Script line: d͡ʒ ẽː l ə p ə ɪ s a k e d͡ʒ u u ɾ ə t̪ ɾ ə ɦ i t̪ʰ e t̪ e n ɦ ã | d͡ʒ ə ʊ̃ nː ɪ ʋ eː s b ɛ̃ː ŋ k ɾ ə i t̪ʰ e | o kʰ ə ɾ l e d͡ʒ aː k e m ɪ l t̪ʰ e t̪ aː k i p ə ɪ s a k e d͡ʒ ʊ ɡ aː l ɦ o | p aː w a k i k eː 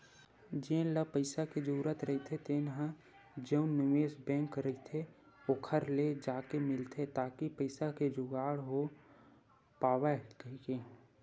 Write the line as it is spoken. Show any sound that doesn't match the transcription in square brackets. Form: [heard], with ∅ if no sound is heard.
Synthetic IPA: d͡ʒ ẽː l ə p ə ɪ s a k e d͡ʒ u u ɾ ə t̪ ɾ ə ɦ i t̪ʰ e t̪ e n ɦ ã | d͡ʒ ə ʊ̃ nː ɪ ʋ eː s b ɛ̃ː ŋ k ɾ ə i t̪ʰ e | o kʰ ə ɾ l e d͡ʒ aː k e m ɪ l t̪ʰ e t̪ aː k i p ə ɪ s a k e d͡ʒ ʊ ɡ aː [ɽ] ɦ o | p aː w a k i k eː